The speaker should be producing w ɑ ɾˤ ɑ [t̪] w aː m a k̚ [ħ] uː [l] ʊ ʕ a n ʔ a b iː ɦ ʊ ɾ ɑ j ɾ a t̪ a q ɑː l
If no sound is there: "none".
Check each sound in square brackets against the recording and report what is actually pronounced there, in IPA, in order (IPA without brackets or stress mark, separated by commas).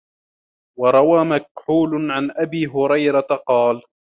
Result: none, ħ, l